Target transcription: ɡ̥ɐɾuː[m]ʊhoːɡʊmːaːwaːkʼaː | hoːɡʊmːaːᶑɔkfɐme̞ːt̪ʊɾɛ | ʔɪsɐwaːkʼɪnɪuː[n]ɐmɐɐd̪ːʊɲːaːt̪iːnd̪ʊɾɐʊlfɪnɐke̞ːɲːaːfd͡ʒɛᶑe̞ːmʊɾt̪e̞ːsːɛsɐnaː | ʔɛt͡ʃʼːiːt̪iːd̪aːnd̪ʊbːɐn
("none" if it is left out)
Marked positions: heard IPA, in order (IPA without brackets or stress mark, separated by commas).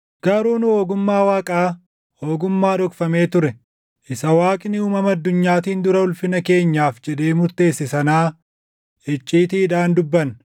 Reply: n, m